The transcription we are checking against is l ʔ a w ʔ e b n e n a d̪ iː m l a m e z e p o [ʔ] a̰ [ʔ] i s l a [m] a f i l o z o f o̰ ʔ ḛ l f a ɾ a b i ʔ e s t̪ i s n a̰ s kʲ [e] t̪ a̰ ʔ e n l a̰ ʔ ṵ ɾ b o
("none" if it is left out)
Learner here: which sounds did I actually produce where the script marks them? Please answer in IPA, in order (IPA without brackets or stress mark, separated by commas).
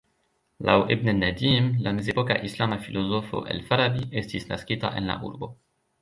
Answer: k, ʔ, m, i